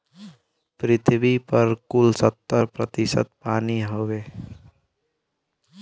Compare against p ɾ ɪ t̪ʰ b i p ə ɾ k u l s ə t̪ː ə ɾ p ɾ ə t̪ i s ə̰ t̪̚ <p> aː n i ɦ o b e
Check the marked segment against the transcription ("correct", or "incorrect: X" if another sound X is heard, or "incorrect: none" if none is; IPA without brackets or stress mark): correct